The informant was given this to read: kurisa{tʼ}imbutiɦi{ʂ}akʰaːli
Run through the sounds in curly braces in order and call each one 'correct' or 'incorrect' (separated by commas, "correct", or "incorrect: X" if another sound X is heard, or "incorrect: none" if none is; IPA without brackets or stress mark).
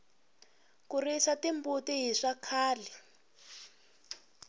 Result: incorrect: t, correct